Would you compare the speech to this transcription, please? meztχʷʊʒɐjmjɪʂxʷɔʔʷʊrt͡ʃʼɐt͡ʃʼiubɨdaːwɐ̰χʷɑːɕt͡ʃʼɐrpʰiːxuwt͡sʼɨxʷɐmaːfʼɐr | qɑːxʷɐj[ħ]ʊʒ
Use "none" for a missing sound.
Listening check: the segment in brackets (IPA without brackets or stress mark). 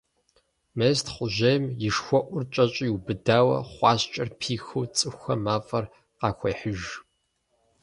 ħ